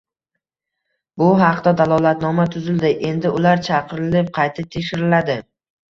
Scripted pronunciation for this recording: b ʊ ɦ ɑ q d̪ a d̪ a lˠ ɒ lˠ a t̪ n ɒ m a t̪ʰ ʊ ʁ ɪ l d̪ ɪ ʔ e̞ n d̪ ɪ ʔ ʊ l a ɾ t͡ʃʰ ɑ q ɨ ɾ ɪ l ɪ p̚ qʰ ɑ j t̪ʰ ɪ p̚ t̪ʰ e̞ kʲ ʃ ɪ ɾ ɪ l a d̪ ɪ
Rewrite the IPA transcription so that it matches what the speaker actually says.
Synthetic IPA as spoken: b ʊ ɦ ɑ q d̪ a d̪ a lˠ ɒ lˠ a t̪ n ɒ m a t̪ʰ ʊ z ɪ l d̪ ɪ ʔ e̞ n d̪ ɪ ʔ ʊ l a ɾ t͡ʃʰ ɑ q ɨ ɾ ɪ l ɪ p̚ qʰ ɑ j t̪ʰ ɪ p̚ t̪ʰ e̞ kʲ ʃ ɪ ɾ ɪ l a d̪ ɪ